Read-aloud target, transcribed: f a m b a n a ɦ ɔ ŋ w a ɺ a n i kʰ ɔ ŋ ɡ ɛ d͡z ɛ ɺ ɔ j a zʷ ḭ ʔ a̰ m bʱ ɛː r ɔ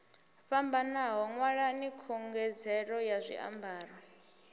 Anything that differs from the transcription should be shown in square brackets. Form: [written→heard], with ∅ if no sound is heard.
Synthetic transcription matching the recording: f a m b a n a ɦ ɔ ŋ w a ɺ a n i kʰ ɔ ŋ ɡ ɛ d͡z ɛ ɺ ɔ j a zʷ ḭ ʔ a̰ m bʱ [ɛː→aː] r ɔ